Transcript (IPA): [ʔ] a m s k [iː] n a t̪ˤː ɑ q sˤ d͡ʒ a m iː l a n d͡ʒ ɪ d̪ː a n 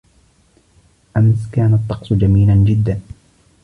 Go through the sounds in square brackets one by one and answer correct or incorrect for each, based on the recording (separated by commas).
correct, incorrect